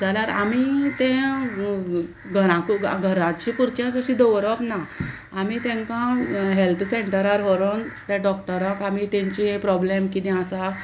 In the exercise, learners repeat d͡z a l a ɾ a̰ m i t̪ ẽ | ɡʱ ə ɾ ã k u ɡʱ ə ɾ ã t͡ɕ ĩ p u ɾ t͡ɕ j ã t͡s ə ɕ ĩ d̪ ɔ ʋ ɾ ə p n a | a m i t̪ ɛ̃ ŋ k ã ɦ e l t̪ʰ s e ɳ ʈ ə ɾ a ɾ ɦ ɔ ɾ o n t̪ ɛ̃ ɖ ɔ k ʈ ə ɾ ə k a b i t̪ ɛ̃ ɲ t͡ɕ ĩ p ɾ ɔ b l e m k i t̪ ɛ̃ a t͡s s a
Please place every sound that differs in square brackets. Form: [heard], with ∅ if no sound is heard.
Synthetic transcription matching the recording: d͡z a l a ɾ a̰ m i t̪ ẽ | ɡʱ ə ɾ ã k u ɡʱ ə ɾ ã t͡ɕ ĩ p u ɾ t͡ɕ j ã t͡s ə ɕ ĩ d̪ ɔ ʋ ɾ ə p n a | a m i t̪ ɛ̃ ŋ k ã ɦ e l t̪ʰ s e ɳ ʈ ə ɾ a ɾ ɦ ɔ ɾ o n t̪ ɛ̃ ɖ ɔ k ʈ ə ɾ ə k a [m] i t̪ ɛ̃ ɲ t͡ɕ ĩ p ɾ ɔ b l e m k i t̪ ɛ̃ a [∅] s a